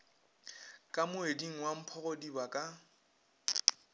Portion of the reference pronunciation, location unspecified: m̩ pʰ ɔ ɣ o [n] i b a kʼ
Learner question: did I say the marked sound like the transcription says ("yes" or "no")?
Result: no